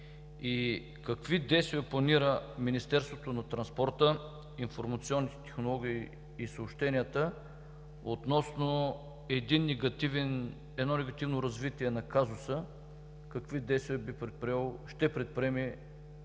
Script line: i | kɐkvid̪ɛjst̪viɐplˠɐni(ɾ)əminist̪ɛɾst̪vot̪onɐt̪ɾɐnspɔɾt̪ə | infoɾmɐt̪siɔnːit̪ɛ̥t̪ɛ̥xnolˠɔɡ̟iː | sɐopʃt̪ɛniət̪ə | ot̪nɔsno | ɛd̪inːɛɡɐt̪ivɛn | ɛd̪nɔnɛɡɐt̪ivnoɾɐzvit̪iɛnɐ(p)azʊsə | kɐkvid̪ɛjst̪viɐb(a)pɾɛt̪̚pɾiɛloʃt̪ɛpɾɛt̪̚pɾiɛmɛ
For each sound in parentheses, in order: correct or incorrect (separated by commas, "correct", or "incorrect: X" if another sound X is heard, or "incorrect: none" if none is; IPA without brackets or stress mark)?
correct, incorrect: k, incorrect: i